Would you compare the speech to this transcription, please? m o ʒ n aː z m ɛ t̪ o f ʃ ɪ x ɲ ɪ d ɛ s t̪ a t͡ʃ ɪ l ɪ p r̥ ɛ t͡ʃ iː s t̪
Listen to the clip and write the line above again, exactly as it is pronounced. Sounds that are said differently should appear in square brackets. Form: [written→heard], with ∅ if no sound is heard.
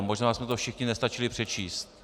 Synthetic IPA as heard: m o ʒ n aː [z→s] m ɛ t̪ o f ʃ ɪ x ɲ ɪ [d→n] ɛ s t̪ a t͡ʃ ɪ l ɪ p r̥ ɛ t͡ʃ iː s t̪